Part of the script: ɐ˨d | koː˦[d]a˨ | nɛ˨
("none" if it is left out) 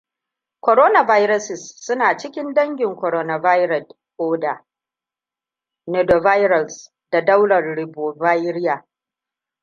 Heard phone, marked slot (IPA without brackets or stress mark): d